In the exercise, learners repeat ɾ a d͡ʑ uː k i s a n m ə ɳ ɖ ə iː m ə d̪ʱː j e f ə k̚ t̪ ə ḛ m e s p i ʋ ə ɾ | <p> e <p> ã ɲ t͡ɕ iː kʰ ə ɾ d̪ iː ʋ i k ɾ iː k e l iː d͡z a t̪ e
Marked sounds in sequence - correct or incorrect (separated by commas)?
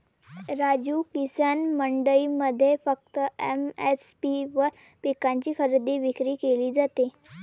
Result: correct, incorrect